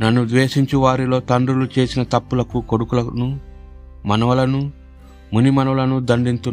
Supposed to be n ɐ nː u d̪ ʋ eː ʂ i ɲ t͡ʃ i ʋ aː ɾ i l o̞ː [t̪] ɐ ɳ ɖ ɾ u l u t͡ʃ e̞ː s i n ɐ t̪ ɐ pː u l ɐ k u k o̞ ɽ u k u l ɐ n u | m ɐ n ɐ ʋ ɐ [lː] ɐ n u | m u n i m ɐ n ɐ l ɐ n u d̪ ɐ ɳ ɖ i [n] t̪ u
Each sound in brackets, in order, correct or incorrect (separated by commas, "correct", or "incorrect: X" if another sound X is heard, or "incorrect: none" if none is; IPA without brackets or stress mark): correct, incorrect: l, correct